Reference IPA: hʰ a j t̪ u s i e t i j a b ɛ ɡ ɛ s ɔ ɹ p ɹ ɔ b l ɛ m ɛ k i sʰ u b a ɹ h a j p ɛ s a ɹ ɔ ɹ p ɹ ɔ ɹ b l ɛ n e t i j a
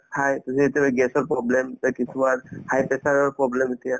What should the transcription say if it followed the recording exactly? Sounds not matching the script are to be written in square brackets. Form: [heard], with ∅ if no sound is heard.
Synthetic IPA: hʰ a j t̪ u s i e t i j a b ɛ ɡ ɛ s ɔ ɹ p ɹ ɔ b l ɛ m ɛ k i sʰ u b a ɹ h a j p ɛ s a ɹ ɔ ɹ p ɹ ɔ [∅] b l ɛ [m] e t i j a